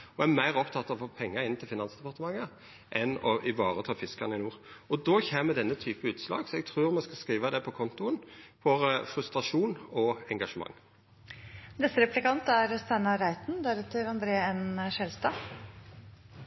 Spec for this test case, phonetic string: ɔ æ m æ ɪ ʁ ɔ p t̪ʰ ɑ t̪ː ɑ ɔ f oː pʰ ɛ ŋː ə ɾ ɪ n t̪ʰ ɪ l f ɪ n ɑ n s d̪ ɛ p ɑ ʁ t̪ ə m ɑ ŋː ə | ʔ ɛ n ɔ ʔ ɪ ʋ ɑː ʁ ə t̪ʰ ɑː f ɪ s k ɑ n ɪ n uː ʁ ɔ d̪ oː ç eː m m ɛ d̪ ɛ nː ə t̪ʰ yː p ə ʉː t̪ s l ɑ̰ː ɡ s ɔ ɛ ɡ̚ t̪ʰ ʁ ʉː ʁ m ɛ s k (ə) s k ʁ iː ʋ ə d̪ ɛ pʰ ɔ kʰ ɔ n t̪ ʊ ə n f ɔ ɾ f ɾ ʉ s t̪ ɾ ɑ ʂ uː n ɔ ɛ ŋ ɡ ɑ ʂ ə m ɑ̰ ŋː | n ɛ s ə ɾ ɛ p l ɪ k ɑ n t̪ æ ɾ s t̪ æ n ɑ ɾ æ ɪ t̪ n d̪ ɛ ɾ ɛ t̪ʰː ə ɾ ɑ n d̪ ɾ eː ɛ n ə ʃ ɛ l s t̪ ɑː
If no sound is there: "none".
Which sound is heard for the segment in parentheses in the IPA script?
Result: ɑ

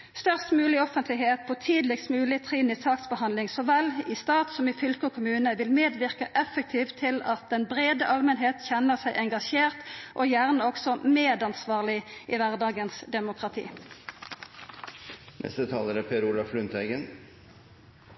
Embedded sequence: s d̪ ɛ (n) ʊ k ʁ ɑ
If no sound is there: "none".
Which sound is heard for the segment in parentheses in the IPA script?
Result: m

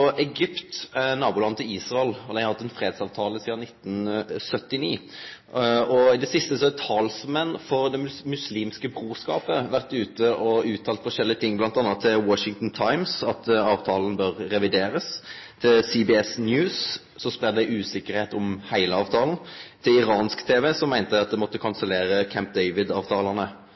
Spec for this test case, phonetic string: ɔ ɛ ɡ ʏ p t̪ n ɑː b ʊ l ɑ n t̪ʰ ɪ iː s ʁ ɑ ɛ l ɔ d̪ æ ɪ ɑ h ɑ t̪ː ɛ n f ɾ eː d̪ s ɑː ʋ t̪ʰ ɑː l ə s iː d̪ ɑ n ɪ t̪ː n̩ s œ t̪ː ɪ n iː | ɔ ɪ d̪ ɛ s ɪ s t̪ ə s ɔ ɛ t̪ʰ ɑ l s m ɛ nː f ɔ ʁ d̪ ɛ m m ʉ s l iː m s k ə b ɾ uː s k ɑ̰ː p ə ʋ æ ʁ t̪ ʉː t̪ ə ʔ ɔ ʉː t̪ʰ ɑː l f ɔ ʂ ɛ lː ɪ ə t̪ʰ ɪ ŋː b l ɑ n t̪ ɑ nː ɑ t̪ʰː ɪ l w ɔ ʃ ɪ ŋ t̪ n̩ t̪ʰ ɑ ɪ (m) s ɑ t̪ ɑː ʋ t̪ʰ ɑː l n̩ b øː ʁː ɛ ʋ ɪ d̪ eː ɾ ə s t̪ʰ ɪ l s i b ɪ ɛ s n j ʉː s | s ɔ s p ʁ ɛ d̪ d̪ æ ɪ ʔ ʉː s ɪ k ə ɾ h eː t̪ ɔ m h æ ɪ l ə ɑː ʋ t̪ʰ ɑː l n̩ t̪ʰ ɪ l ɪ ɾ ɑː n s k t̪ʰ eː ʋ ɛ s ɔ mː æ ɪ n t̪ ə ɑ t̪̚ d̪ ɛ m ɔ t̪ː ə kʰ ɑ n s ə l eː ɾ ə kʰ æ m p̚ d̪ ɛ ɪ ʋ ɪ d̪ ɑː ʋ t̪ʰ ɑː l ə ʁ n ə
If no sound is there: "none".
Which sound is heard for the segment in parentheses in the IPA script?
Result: m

